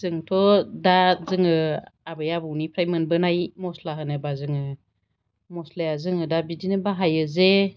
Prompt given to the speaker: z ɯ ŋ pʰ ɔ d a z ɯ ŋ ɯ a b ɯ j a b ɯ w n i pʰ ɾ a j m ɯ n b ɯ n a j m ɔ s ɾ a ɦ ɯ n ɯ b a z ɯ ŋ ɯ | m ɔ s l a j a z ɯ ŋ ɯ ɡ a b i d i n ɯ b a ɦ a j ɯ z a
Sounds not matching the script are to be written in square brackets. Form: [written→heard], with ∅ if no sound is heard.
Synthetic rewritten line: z ɯ ŋ [pʰ→tʰ] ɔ d a z ɯ ŋ ɯ a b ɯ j a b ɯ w n i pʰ ɾ a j m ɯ n b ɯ n a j m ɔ s [ɾ→l] a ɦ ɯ n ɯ b a z ɯ ŋ ɯ | m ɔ s l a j a z ɯ ŋ ɯ [ɡ→d] a b i d i n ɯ b a ɦ a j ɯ z [a→e]